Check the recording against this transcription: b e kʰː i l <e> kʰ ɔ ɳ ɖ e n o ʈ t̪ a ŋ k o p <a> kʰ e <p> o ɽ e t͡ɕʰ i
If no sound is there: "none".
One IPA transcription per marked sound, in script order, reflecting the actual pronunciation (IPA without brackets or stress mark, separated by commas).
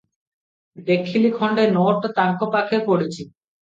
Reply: i, a, p